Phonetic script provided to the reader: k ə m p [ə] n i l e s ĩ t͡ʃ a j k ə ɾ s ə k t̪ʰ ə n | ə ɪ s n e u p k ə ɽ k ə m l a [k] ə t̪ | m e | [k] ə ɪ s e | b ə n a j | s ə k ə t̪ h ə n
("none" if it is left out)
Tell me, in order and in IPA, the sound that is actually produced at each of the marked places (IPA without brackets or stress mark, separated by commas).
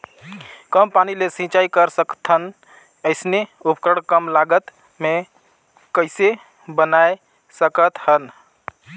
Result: a, ɡ, k